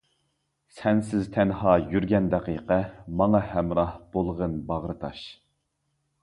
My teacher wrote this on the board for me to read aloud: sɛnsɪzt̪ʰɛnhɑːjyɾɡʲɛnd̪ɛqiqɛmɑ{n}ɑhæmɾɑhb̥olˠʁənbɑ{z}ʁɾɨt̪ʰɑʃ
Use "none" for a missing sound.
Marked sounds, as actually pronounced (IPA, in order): ŋ, none

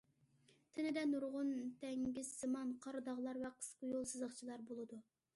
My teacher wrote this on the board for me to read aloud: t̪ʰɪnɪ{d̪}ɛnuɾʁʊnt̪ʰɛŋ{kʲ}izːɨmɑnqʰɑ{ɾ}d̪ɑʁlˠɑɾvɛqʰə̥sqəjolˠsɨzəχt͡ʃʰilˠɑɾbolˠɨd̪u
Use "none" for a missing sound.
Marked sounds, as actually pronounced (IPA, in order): d̪, ɡʲ, ɾ

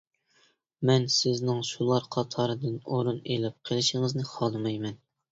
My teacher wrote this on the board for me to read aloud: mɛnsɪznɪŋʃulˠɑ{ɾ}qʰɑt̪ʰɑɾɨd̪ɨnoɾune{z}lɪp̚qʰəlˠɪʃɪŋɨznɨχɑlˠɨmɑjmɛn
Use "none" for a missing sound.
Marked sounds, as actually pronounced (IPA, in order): ɾ, none

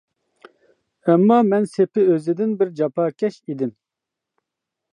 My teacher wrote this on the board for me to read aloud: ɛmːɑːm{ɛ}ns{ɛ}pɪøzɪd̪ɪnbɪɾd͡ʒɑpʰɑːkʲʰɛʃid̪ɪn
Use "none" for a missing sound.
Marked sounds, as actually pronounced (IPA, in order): ɛ, e

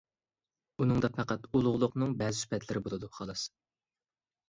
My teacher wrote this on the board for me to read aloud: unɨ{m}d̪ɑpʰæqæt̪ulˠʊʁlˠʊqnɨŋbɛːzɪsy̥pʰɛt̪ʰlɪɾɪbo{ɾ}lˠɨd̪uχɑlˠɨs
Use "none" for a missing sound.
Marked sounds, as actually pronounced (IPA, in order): ŋ, none

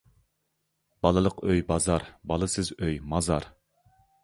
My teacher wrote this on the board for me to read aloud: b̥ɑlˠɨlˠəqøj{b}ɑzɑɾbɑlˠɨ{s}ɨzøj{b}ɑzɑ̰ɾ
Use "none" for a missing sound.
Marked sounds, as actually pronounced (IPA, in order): b, s, m

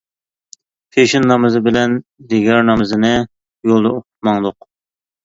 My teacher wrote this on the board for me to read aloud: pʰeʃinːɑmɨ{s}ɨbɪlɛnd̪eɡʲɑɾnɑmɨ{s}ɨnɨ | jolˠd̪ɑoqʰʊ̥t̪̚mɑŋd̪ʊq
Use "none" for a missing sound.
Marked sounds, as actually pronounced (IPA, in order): z, z

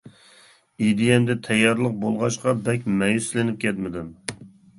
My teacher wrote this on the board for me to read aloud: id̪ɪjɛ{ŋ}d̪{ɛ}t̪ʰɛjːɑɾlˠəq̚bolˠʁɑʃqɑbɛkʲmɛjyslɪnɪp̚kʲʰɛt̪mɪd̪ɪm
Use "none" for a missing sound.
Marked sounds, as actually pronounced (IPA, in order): m, ɛ

